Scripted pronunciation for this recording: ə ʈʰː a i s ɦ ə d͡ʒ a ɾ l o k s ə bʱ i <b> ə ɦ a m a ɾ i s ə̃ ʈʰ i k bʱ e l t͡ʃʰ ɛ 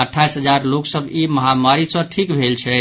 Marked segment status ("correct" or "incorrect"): incorrect